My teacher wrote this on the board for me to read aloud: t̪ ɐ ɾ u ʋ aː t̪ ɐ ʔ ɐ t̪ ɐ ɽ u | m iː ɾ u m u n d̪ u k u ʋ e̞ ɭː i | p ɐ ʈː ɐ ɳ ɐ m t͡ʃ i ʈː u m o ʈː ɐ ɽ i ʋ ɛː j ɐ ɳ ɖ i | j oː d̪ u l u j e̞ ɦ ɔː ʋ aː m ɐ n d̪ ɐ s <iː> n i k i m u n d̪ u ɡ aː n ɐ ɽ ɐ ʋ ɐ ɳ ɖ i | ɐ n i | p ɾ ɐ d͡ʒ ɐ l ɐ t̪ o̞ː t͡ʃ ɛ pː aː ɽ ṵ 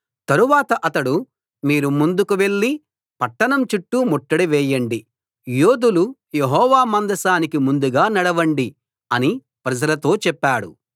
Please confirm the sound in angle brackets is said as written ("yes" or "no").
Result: no